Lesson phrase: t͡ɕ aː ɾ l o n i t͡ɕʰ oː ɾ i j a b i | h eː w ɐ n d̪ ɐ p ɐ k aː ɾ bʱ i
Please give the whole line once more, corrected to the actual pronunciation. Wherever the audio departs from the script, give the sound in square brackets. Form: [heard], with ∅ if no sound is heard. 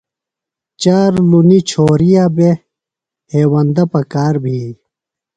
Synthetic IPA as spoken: t͡ɕ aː ɾ l [u] n i t͡ɕʰ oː ɾ i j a b [e] | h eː w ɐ n d̪ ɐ p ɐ k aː ɾ bʱ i